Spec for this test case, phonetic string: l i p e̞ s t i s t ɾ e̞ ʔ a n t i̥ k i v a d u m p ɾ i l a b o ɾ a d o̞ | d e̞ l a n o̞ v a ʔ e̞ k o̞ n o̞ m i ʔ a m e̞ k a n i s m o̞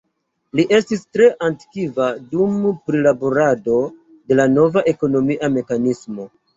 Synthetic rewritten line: l i ʔ e̞ s t i s t ɾ e̞ ʔ a n t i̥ k i v a d u m p ɾ i l a b o ɾ a d o̞ | d e̞ l a n o̞ v a ʔ e̞ k o̞ n o̞ m i ʔ a m e̞ k a n i s m o̞